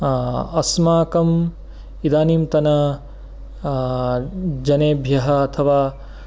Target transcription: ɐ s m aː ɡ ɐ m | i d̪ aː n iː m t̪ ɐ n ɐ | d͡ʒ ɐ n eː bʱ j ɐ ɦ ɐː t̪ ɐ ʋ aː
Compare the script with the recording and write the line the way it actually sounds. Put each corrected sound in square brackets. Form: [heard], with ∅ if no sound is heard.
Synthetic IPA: ɐ s m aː [k] ɐ m | i d̪ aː n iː m t̪ ɐ n ɐ | d͡ʒ ɐ n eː bʱ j ɐ ɦ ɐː [t̪ʰ] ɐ ʋ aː